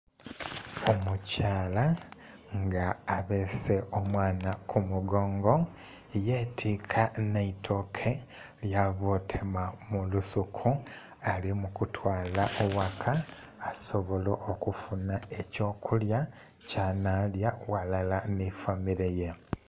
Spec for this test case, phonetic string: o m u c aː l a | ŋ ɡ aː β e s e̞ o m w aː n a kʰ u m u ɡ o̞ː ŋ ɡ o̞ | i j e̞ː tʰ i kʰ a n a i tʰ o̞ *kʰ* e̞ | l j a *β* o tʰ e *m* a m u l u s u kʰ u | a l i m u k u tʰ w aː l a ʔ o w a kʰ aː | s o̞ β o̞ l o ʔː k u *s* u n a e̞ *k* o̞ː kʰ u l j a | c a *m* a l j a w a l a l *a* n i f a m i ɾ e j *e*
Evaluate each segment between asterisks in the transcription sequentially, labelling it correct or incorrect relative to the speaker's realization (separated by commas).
correct, correct, correct, incorrect, incorrect, incorrect, correct, correct